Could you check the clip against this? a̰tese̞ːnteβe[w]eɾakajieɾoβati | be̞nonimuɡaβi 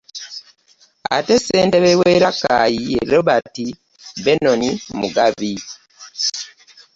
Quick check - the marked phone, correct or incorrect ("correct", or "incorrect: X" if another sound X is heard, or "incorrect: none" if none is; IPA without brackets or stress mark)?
correct